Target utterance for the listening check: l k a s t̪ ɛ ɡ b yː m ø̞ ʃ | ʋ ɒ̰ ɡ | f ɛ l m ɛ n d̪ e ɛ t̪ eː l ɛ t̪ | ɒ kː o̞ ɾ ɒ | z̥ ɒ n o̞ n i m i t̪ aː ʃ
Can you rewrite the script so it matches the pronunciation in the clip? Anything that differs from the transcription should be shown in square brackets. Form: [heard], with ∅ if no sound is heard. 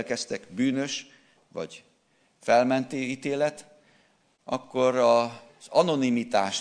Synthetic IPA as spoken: l k [ɛ] s t̪ ɛ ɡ b yː [n] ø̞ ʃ | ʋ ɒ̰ [ɟ] | f ɛ l m ɛ n [t̪] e [i] t̪ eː l ɛ t̪ | ɒ kː o̞ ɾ ɒ | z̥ ɒ n o̞ n i m i t̪ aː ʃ